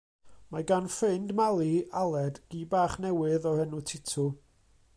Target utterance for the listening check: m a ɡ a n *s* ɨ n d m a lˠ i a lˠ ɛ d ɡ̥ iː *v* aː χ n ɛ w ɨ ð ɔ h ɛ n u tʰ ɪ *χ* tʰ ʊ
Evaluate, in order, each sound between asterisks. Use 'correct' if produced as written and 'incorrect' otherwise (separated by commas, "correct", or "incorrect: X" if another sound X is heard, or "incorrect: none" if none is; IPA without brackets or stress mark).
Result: incorrect: f, incorrect: b, incorrect: none